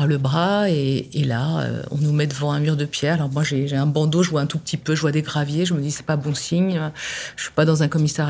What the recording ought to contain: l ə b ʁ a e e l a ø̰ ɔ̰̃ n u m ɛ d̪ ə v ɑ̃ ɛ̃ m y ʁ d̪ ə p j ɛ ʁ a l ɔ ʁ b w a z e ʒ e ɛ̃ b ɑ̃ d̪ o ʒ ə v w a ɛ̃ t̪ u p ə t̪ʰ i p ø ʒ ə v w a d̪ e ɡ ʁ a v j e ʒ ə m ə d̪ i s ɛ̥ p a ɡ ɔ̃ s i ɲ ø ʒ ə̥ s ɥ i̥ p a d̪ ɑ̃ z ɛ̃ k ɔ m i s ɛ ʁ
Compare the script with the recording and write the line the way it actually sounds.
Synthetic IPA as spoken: l ə b ʁ a e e l a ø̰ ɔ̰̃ n u m ɛ d̪ ə v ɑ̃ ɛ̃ m y ʁ d̪ ə p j ɛ ʁ a l ɔ ʁ m w a ʒ e ʒ e ɛ̃ b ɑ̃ d̪ o ʒ ə v w a ɛ̃ t̪ u p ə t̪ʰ i p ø ʒ ə v w a d̪ e ɡ ʁ a v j e ʒ ə m ə d̪ i s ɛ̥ p a b ɔ̃ s i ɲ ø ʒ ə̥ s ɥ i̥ p a d̪ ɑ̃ z ɛ̃ k ɔ m i s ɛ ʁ